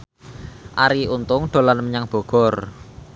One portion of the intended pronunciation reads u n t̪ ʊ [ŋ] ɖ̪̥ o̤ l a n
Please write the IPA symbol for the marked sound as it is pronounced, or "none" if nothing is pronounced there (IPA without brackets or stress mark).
ŋ